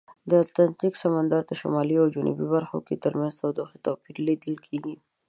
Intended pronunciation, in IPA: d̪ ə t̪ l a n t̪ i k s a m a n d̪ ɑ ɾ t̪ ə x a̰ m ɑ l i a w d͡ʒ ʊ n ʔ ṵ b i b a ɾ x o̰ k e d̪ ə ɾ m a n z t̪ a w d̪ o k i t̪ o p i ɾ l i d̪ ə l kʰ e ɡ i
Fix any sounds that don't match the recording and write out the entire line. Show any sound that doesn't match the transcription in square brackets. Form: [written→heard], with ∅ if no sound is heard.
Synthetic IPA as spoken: d̪ ə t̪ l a n t̪ i k s a m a n d̪ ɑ ɾ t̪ ə [x→ʃ] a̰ m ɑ l i a w d͡ʒ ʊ n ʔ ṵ b i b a ɾ x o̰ k e [d̪→t̪] ə ɾ m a n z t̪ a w d̪ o [k→x] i t̪ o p i ɾ l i d̪ ə l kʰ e ɡ i

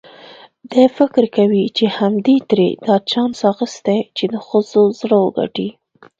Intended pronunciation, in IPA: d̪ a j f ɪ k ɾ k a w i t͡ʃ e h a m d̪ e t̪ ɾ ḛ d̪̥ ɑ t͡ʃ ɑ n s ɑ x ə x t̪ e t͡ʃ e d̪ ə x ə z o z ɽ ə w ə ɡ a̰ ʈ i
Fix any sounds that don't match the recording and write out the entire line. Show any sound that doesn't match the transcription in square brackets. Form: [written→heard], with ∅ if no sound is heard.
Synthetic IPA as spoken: d̪ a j f ɪ k ɾ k a w i t͡ʃ e h a m d̪ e t̪ ɾ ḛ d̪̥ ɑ t͡ʃ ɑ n s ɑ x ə [x→s] t̪ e t͡ʃ e d̪ ə x ə z o z ɽ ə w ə ɡ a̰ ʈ i

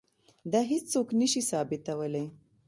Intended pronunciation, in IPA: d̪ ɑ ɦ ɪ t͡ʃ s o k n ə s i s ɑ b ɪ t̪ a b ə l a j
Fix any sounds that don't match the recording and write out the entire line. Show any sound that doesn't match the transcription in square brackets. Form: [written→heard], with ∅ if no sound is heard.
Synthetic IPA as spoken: d̪ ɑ ɦ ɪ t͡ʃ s o k n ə [s→ʃ] i s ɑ b ɪ t̪ a [b→w] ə l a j

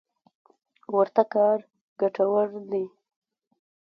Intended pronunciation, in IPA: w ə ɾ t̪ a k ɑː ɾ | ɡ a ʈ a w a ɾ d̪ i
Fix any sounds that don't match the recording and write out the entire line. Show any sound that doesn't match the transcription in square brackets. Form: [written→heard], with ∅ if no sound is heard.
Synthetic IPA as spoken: w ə ɾ t̪ a k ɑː ɾ | ɡ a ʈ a w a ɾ d̪ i

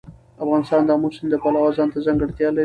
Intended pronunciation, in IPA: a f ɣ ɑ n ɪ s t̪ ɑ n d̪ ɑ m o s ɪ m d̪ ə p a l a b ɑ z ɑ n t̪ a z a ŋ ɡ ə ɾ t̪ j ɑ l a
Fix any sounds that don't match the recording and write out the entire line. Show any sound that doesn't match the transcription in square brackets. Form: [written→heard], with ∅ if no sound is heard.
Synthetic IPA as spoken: a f ɣ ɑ n ɪ s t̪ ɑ n d̪ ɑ m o s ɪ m d̪ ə p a l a [b→w] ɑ z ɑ n t̪ a z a ŋ ɡ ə [ɾ→ɽ] t̪ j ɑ l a

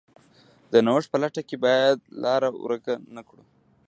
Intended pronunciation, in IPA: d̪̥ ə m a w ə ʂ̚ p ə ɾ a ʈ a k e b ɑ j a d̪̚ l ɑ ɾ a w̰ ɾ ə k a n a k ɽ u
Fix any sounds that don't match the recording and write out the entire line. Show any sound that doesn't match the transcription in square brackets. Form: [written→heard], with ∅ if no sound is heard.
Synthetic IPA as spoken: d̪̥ ə [m→n] a w ə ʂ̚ p ə [ɾ→l] a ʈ a k e b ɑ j a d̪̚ l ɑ ɾ a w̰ ɾ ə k a n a k ɽ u

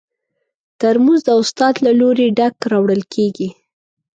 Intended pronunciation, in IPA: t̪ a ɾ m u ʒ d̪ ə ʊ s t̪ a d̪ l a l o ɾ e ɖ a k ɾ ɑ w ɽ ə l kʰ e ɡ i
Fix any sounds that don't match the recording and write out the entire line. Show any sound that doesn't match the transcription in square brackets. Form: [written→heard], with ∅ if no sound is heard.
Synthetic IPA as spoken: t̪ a ɾ m u [ʒ→z] d̪ ə ʊ s t̪ [a→ɑ] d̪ l a l o ɾ e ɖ a k ɾ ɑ w ɽ ə l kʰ e ɡ i

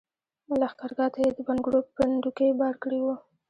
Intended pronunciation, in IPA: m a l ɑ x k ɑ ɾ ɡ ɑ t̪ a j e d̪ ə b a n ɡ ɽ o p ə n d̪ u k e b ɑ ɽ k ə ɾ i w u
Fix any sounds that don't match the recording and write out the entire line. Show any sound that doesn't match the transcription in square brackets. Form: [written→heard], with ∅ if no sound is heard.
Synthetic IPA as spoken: m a l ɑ x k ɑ ɾ ɡ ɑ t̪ a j e d̪ ə b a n ɡ ɽ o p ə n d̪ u k e b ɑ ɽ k ə [ɾ→ɽ] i w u

